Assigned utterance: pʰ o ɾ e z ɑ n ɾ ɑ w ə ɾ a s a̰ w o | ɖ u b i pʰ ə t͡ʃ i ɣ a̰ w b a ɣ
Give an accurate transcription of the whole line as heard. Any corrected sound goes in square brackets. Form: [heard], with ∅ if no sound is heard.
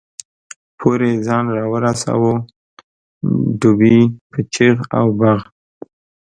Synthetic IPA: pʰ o ɾ e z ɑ n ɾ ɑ w ə ɾ a s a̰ w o | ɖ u b i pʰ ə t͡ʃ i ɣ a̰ w b a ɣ